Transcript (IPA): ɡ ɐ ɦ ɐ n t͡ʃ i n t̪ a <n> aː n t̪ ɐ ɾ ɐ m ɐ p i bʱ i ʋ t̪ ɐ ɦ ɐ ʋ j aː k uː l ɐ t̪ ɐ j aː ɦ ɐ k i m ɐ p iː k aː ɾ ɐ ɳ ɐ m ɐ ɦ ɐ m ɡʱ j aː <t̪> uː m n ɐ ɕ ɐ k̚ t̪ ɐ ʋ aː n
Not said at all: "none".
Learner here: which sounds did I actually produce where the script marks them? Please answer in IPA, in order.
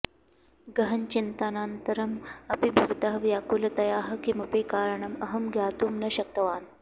n, t̪

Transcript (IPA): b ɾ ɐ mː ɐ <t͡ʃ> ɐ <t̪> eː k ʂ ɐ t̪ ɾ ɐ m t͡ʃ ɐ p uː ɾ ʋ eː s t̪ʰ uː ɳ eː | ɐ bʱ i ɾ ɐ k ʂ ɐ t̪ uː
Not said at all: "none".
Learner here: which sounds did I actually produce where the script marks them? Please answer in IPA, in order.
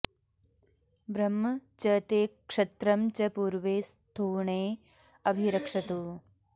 t͡ʃ, t̪

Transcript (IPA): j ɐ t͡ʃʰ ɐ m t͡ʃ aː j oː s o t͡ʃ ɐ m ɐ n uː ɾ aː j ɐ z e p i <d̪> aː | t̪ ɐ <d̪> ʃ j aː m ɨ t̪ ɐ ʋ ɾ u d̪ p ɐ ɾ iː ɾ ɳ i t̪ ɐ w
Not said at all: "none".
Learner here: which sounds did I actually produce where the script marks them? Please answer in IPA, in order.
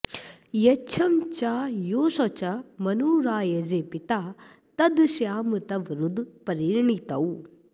t̪, d̪

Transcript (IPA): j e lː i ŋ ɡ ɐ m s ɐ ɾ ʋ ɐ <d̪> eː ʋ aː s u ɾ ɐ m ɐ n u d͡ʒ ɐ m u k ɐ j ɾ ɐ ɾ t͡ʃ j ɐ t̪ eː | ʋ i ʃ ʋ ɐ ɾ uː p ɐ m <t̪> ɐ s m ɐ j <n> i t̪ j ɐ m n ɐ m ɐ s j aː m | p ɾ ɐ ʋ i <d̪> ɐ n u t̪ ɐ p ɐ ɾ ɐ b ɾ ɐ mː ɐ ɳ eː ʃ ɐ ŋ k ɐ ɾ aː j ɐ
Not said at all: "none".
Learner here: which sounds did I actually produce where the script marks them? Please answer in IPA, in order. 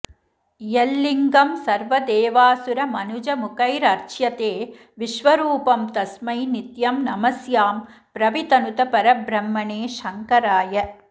d̪, t̪, n, t̪

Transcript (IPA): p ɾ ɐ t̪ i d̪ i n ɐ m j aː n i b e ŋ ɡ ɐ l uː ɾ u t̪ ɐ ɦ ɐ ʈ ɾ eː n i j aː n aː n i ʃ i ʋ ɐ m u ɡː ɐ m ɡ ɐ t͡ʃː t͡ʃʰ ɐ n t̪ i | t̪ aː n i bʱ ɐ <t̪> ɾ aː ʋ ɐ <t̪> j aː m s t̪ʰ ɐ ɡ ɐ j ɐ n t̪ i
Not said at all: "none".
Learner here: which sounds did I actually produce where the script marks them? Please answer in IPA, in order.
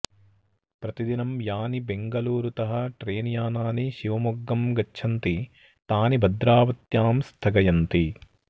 d̪, t̪

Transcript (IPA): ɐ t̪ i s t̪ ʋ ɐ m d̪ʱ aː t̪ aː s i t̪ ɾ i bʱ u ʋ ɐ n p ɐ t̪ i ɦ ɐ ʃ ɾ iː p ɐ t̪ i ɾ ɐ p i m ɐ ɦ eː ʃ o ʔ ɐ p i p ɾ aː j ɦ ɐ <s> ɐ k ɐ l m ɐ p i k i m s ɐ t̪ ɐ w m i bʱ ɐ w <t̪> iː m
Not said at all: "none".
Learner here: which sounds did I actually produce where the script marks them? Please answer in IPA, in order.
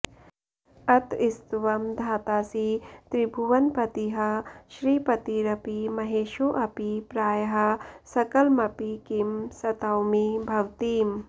s, t̪

